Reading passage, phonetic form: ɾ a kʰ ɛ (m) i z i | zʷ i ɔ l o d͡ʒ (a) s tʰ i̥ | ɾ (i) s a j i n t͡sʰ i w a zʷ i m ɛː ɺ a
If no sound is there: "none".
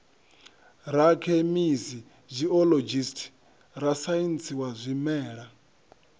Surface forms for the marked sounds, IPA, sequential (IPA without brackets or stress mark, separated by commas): m, i, a